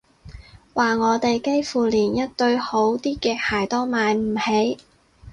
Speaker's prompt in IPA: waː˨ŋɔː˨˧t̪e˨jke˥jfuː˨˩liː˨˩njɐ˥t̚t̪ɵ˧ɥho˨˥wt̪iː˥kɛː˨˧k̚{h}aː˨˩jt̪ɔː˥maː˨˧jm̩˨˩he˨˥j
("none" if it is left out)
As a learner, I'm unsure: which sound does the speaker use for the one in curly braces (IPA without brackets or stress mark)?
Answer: h